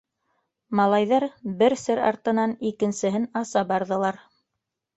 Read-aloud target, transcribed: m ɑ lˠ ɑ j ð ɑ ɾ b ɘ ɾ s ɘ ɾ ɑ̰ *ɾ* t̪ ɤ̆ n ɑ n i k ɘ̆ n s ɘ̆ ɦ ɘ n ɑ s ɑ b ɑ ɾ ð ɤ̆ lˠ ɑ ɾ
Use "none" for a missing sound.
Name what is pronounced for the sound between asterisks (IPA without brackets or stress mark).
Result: ɾ